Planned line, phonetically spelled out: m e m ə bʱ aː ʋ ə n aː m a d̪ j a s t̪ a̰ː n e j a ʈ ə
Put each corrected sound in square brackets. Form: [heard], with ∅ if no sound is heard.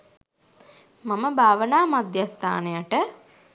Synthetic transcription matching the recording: m [a] m ə bʱ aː ʋ ə n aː m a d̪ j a s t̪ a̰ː n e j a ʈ ə